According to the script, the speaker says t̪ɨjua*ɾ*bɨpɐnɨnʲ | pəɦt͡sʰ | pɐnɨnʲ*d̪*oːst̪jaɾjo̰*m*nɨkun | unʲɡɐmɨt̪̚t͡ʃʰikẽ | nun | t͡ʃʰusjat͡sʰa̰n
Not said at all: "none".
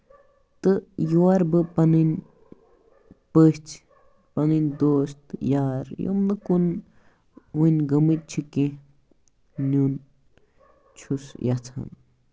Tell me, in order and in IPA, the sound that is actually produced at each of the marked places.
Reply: ɾ, d̪, m

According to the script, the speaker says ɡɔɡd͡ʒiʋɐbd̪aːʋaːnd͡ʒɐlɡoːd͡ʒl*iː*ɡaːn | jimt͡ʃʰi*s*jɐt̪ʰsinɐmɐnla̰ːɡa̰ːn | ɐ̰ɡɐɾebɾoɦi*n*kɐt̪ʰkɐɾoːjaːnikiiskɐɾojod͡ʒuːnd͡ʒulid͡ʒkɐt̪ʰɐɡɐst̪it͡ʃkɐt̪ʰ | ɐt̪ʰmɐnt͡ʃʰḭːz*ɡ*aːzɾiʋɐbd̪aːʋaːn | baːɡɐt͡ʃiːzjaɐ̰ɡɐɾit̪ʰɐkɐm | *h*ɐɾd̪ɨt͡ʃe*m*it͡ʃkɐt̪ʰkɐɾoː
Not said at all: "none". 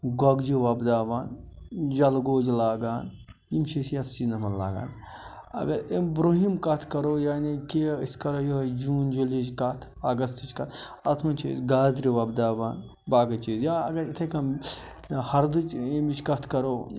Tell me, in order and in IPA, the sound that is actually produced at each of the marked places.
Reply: aː, s, m, ɡ, h, m

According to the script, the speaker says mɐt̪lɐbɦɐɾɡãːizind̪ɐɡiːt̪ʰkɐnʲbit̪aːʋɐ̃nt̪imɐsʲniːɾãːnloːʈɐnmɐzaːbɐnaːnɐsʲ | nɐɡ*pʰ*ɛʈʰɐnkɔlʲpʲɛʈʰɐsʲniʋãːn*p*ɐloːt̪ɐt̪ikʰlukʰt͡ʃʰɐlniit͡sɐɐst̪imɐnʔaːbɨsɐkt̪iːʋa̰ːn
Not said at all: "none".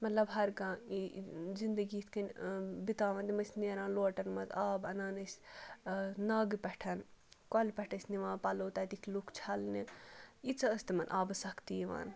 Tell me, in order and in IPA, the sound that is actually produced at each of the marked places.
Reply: p, p

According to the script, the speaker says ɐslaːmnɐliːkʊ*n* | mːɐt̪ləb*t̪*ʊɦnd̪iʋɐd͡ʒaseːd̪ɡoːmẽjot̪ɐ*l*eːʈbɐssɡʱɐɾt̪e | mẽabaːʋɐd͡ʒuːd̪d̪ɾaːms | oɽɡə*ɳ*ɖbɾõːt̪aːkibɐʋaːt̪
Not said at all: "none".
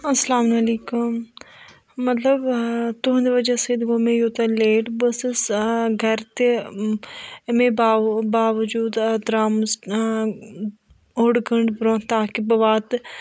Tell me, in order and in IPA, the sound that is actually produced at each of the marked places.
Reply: m, t̪, l, ɳ

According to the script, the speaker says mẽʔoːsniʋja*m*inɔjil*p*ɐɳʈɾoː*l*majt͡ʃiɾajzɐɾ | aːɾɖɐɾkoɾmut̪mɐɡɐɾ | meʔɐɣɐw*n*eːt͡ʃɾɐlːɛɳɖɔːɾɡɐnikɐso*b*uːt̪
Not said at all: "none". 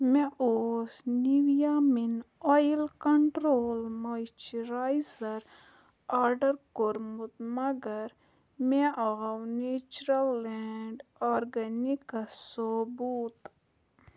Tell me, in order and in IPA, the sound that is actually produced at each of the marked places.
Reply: m, k, l, n, b

